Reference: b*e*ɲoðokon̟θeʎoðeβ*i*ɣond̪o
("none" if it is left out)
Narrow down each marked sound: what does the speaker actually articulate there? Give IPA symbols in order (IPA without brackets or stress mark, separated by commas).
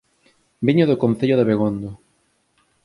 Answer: i, e